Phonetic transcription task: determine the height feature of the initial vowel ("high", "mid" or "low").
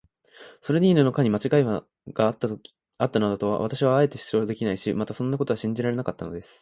mid